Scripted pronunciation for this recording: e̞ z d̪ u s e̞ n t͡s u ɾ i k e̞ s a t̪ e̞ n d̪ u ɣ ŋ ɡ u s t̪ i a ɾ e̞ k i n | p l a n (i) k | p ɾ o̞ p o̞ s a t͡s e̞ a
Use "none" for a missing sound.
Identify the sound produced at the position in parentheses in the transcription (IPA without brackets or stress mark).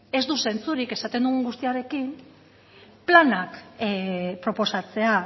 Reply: a